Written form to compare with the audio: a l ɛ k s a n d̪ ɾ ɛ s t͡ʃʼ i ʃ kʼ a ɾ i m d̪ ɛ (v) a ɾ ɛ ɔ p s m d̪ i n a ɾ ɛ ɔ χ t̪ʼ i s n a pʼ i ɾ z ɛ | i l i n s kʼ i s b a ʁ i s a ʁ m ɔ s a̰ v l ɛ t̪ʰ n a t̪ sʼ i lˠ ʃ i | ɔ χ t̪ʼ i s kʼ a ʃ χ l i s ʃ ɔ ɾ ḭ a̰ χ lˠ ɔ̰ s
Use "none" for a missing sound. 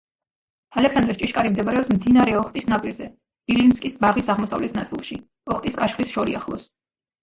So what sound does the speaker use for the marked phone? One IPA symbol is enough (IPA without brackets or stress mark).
b